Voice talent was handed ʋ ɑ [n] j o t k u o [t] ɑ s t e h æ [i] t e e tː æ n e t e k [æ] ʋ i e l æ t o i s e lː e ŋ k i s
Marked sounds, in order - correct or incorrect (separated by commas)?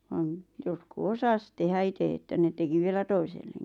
correct, incorrect, correct, incorrect